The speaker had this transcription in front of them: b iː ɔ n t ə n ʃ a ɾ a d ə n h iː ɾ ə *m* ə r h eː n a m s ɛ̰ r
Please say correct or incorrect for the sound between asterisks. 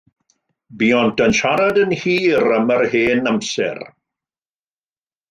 correct